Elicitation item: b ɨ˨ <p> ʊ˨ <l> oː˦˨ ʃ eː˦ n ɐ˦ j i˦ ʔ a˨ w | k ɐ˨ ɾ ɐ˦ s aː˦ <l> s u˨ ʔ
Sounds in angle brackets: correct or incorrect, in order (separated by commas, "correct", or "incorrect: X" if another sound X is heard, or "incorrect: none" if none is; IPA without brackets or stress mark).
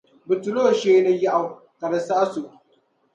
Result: incorrect: t, correct, incorrect: none